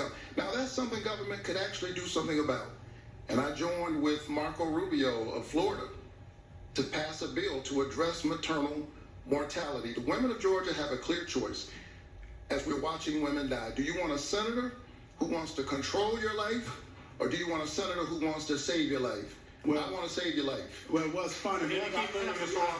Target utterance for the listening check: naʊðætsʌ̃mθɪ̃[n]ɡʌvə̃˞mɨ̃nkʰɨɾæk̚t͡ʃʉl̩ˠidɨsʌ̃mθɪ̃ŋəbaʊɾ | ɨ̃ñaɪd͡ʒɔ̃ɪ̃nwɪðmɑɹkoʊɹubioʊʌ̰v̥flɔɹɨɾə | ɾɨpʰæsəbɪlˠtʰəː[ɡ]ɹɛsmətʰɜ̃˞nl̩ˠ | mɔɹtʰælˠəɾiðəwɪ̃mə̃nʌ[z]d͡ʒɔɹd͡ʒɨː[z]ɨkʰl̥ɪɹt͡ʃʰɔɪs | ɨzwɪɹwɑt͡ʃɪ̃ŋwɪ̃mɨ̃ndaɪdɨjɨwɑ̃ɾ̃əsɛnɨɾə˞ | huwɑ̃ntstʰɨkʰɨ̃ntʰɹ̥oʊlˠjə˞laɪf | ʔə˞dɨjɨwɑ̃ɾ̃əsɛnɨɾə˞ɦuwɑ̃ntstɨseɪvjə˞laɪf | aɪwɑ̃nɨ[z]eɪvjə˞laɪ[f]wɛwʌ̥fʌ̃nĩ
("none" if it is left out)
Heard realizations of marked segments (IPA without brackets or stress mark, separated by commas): ŋ, d, v, v, s, f